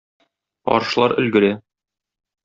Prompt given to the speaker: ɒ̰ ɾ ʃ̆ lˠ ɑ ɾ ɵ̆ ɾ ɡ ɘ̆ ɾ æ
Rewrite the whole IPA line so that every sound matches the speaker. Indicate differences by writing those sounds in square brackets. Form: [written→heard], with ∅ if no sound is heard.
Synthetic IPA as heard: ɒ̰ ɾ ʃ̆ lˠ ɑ ɾ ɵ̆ [ɾ→l] ɡ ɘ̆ ɾ æ